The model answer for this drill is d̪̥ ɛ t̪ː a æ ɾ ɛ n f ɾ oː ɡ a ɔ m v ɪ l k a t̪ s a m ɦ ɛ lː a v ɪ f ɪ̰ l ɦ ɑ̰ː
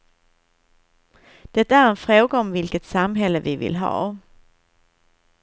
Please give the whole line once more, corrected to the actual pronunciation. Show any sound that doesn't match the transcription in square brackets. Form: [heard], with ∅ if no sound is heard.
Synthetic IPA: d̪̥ ɛ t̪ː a æ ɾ ɛ n f ɾ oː ɡ a ɔ m v ɪ l k [ə] t̪ s a m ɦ ɛ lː [ə] v ɪ [v] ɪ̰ l ɦ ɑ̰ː